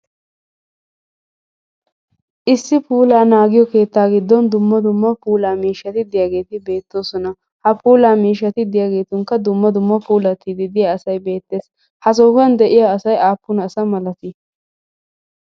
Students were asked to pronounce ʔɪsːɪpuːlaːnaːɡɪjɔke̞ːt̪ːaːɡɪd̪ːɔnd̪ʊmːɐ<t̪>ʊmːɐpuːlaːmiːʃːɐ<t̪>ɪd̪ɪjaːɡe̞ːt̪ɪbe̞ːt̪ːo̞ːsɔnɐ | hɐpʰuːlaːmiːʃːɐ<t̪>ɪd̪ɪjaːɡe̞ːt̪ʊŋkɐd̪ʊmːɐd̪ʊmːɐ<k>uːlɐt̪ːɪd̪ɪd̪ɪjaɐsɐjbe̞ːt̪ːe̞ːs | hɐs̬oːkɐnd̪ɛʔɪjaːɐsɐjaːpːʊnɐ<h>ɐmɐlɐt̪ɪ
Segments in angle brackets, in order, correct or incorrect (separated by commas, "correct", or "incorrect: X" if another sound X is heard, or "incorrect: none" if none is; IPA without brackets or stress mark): incorrect: d̪, correct, correct, incorrect: p, incorrect: s